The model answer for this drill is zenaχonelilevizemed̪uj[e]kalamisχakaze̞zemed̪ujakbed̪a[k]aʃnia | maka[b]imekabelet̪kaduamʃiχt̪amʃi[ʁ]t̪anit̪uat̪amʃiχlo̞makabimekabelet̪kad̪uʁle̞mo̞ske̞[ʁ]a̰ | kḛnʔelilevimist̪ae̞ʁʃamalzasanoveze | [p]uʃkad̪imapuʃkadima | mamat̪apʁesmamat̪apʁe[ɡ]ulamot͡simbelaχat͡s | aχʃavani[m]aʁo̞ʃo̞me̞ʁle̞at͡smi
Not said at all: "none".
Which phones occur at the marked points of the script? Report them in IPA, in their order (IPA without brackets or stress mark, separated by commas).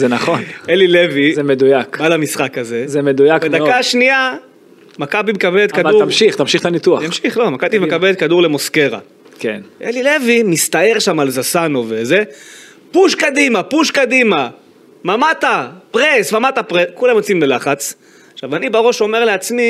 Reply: a, k, b, χ, ʁ, p, k, b